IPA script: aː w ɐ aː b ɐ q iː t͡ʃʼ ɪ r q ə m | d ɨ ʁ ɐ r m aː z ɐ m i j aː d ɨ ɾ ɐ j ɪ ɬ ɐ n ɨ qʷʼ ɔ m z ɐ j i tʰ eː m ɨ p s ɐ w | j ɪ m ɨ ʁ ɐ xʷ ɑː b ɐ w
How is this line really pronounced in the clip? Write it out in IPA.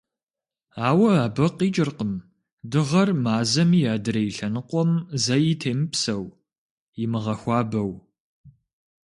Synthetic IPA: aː w ɐ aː b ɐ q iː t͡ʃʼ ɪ r q ə m | d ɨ ʁ ɐ r m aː z ɐ m i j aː d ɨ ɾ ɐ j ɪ ɬ ɐ n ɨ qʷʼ ɔ m z ɐ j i tʰ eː m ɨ p s ɐ w | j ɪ m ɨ ʁ ɐ xʷ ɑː b ɐ w